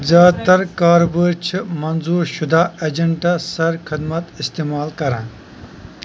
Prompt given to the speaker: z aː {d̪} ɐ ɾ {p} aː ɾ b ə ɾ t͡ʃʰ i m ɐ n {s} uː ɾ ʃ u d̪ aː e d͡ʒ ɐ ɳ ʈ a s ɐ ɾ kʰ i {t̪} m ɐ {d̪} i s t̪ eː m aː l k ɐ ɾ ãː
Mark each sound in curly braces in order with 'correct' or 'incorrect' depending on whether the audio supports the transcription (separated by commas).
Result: incorrect, incorrect, incorrect, incorrect, incorrect